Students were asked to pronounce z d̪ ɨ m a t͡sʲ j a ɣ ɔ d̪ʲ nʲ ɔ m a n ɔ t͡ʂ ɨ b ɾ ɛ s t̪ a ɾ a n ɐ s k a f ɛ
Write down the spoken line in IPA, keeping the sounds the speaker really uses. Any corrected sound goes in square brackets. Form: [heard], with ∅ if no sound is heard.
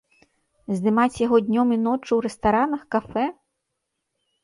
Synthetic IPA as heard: z d̪ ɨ m a t͡sʲ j a ɣ ɔ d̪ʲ nʲ ɔ m [i] n ɔ t͡ʂ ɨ [w] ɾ ɛ s t̪ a ɾ a n ɐ [x] k a f ɛ

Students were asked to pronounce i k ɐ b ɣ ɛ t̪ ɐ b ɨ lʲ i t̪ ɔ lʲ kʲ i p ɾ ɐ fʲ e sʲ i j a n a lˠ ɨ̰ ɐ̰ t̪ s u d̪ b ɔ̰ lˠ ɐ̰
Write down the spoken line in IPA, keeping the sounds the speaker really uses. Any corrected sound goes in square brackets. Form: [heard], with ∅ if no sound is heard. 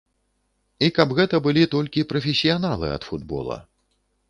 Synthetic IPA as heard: i k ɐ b ɣ ɛ t̪ ɐ b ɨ lʲ i t̪ ɔ lʲ kʲ i p ɾ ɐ fʲ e sʲ i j a n a lˠ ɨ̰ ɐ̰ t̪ [f] u d̪ b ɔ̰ lˠ ɐ̰

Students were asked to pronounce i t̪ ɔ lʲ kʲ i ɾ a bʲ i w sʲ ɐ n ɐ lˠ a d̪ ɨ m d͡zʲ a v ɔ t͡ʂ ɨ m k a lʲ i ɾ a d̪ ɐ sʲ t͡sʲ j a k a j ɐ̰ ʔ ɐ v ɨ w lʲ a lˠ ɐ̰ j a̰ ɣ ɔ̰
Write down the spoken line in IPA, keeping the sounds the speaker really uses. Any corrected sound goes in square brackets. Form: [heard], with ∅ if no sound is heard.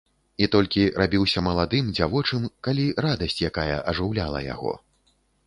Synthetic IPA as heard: i t̪ ɔ lʲ kʲ i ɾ a bʲ i w sʲ ɐ [m] ɐ lˠ a d̪ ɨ m d͡zʲ a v ɔ t͡ʂ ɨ m k a lʲ i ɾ a d̪ ɐ sʲ t͡sʲ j a k a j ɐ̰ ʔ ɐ [ʐ] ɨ w lʲ a lˠ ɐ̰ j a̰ ɣ ɔ̰

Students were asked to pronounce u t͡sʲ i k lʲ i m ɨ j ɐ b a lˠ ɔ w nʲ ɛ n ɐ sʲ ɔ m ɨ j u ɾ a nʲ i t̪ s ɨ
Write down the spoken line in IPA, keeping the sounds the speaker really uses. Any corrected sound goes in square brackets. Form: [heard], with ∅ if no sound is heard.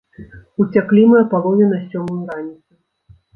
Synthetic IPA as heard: u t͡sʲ [a] k lʲ i m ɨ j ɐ [p] a lˠ ɔ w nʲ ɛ n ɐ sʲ ɔ m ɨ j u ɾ a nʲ i t̪ s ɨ

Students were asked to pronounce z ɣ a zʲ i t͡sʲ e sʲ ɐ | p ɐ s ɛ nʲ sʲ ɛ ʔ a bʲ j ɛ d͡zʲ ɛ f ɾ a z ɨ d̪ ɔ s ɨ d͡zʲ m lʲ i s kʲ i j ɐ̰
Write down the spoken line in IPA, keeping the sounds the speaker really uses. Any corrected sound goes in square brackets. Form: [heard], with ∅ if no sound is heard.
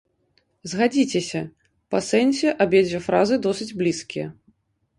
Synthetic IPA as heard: z ɣ a [d͡zʲ] i t͡sʲ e sʲ ɐ | p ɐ s ɛ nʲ sʲ ɛ ʔ a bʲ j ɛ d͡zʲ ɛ f ɾ a z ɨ d̪ ɔ s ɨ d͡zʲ [b] lʲ i s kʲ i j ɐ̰

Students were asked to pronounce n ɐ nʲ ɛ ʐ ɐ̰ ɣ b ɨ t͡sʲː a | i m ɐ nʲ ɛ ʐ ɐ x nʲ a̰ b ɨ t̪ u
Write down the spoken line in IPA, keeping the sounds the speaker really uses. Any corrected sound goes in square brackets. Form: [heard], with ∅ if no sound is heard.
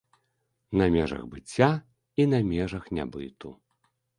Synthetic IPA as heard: n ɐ [mʲ] ɛ ʐ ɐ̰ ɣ b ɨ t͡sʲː a | i [n] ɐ [mʲ] ɛ ʐ ɐ x nʲ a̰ b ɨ t̪ u

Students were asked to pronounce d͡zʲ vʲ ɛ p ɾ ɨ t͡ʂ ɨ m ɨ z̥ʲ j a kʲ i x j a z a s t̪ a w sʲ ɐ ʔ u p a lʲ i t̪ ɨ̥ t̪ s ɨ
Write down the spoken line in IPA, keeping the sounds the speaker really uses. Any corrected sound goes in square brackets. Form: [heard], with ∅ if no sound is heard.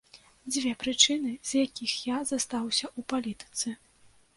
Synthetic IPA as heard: d͡zʲ vʲ ɛ p ɾ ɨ t͡ʂ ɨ [n] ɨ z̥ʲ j a kʲ i x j a z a s t̪ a w sʲ ɐ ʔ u p a lʲ i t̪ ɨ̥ t̪ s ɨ

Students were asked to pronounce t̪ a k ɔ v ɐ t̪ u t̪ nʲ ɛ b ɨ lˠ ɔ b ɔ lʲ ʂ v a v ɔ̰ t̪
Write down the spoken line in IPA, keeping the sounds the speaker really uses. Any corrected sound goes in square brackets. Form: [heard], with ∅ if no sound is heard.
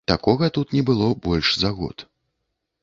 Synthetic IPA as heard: t̪ a k ɔ [ɣ] ɐ t̪ u t̪ nʲ ɛ b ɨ lˠ ɔ b ɔ lʲ ʂ [z] a [ɣ] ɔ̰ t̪

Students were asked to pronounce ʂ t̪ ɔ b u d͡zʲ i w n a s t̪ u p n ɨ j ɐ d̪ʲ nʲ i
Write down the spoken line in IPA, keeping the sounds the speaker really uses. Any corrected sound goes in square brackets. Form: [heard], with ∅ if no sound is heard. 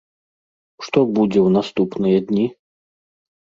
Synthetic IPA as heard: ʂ t̪ ɔ b u d͡zʲ [ɛ] w n a s t̪ u p n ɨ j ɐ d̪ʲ nʲ i

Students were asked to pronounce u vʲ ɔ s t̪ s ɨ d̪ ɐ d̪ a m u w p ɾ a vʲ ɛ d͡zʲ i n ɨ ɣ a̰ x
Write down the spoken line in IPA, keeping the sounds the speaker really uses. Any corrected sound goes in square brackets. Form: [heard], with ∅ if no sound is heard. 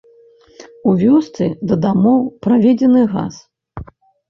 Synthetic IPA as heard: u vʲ ɔ s t̪ s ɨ d̪ ɐ d̪ a m [ɔ] w p ɾ a vʲ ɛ d͡zʲ [ɛ] n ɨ ɣ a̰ [s]

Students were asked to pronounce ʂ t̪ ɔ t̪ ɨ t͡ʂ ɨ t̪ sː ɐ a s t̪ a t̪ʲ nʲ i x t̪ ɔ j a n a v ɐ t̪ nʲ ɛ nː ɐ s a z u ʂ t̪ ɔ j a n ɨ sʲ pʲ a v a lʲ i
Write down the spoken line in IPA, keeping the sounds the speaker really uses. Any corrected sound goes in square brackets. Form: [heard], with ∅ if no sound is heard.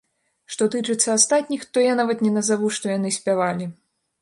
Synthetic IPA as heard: ʂ t̪ ɔ t̪ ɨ t͡ʂ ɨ t̪ sː ɐ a s t̪ a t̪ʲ nʲ i x t̪ ɔ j a n a v ɐ t̪ nʲ ɛ [n] ɐ [z] a [v] u ʂ t̪ ɔ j a n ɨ sʲ pʲ a v a lʲ i

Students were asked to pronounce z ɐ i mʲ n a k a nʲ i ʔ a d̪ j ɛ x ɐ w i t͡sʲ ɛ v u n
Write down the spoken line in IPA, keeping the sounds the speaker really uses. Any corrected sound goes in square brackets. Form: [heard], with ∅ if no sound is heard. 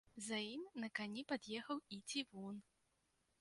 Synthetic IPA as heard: z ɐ i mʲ n [ɐ] k a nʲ i [p] a d̪ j ɛ x ɐ w i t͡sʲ [i] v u n

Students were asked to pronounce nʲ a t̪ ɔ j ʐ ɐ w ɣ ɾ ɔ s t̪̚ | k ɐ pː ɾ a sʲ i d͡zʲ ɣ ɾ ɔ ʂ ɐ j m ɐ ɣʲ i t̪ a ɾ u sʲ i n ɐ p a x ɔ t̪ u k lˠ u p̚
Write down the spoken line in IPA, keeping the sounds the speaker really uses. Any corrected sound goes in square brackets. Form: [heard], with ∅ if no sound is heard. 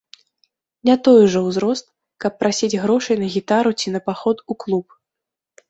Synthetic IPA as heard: nʲ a t̪ ɔ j ʐ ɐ w [z] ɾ ɔ s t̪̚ | k ɐ pː ɾ a sʲ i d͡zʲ ɣ ɾ ɔ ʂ ɐ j [n] ɐ ɣʲ i t̪ a ɾ u [t͡sʲ] i n ɐ p a x ɔ t̪ u k lˠ u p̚

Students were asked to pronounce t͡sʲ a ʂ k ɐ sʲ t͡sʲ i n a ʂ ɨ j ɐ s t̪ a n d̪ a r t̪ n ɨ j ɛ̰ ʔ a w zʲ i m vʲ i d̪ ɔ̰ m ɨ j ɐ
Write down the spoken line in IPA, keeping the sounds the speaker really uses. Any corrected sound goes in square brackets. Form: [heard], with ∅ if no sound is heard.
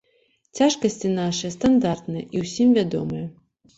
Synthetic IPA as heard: t͡sʲ a ʂ k ɐ sʲ t͡sʲ i n a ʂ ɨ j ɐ s t̪ a n d̪ a r t̪ n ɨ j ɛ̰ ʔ [i] w [sʲ] i m vʲ [a] d̪ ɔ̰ m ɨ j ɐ

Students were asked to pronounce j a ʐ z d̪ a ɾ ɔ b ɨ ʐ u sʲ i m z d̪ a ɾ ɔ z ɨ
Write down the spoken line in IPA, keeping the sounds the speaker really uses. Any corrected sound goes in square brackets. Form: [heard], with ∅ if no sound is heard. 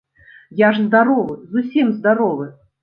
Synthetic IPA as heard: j a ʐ z d̪ a ɾ ɔ [v] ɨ [z] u sʲ i m z d̪ a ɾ ɔ [v] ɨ

